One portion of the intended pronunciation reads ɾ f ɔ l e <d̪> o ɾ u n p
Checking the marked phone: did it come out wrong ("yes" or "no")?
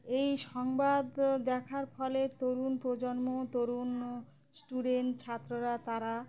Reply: yes